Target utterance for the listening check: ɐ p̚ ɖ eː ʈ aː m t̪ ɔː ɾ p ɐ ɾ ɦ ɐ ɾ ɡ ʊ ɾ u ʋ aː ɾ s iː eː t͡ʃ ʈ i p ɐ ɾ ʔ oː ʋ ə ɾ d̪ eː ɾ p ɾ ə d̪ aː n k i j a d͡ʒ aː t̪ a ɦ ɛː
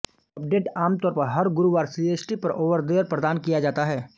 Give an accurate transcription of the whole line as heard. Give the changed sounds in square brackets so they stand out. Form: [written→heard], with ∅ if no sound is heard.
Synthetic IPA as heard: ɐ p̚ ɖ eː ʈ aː m t̪ ɔː ɾ p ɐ ɾ ɦ ɐ ɾ ɡ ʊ ɾ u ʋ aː ɾ s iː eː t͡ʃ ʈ i p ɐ ɾ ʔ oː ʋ ə ɾ d̪ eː ɾ p ɾ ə d̪ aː n k i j a d͡ʒ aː t̪ a ɦ ɛː